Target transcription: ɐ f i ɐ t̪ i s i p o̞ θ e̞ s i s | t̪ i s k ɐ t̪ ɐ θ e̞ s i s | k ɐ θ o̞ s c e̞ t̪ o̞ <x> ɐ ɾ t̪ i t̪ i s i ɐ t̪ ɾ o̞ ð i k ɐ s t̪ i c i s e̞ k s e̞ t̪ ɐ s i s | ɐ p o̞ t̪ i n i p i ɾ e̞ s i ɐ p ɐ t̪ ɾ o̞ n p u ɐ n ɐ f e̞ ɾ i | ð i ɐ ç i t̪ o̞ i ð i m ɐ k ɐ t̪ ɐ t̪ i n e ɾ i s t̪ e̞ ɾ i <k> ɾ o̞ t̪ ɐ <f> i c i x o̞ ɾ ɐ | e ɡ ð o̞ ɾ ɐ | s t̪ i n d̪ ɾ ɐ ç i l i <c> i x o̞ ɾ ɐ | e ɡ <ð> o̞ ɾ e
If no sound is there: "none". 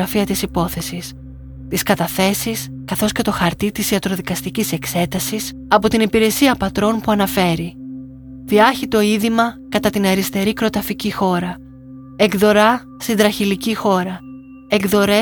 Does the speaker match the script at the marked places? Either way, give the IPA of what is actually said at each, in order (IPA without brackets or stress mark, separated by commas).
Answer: x, k, f, c, ð